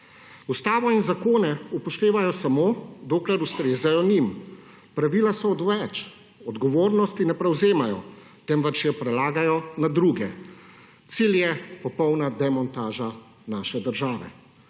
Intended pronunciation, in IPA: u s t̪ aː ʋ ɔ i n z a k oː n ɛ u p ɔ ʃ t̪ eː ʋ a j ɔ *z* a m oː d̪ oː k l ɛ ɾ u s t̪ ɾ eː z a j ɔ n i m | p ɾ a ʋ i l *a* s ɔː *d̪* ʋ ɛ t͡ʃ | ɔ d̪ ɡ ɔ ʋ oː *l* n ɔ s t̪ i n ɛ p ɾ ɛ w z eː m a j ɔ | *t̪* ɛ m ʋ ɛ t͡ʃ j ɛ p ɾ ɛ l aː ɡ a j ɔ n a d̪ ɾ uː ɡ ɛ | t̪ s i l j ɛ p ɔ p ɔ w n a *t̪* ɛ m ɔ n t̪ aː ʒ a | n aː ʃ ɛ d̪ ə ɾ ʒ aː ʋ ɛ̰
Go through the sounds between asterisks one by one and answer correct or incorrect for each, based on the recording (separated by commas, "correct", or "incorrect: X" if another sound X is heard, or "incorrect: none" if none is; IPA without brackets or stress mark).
incorrect: s, correct, correct, incorrect: ɾ, correct, incorrect: d̪